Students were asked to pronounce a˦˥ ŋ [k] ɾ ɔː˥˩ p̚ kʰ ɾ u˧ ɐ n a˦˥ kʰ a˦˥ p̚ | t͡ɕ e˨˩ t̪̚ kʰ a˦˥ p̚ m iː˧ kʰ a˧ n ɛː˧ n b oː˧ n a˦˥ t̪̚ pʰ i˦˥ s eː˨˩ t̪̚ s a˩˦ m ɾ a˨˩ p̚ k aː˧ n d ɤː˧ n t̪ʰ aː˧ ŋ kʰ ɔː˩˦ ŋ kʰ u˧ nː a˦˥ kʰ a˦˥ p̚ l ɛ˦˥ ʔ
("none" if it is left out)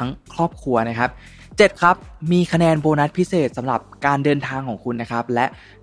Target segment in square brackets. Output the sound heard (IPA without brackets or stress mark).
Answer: kʰ